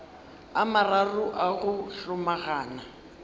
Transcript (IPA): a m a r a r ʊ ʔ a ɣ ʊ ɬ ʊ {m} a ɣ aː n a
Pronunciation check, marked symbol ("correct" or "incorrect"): correct